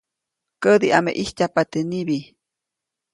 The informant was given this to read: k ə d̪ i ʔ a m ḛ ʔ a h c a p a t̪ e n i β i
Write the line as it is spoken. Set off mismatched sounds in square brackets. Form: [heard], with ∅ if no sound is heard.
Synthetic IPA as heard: k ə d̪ i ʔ a m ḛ ʔ [i] h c a p a t̪ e n i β i